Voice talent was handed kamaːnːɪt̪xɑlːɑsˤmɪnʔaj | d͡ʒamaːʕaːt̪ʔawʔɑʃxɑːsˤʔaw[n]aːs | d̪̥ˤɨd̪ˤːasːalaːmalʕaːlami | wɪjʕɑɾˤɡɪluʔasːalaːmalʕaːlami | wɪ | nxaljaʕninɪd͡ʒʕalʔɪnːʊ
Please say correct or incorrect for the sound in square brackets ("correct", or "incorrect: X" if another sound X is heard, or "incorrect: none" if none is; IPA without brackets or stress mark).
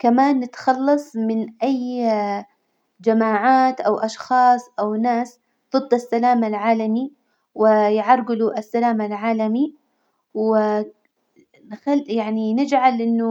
correct